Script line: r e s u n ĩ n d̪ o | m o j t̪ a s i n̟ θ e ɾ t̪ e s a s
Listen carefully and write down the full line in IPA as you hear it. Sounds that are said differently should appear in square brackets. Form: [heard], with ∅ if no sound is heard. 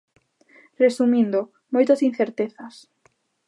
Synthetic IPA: r e s u [m] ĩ n d̪ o | m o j t̪ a s i n̟ θ e ɾ t̪ e [θ] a s